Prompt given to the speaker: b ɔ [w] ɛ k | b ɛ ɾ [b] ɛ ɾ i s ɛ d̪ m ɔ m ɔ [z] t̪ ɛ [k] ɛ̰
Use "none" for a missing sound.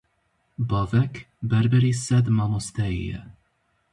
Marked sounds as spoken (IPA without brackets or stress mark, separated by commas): v, b, s, none